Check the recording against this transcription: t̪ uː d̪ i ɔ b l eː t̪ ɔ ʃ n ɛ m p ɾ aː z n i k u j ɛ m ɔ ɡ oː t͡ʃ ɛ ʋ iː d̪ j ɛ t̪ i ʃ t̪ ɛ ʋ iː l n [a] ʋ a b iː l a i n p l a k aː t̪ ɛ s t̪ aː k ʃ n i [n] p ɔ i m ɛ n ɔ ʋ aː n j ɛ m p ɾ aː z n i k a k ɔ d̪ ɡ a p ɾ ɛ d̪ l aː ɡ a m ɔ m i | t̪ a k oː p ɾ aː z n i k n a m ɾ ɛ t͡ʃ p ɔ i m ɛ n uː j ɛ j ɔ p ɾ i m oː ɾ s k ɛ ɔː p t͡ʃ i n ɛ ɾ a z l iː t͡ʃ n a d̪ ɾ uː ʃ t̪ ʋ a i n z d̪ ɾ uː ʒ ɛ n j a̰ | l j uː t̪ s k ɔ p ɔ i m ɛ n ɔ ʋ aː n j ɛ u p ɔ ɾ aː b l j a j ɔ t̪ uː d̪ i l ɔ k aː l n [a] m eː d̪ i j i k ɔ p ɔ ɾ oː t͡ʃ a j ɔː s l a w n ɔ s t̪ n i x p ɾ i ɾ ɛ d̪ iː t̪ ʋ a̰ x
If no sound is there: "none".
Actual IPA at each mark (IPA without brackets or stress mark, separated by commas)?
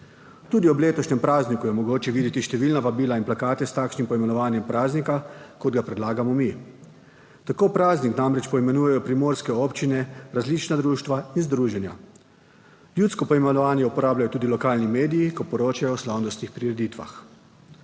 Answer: a, m, i